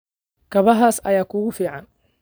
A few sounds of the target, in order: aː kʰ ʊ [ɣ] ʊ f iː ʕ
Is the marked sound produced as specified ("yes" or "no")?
yes